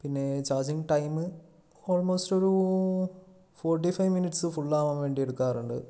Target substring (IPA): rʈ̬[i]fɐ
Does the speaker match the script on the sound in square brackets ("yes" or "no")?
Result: yes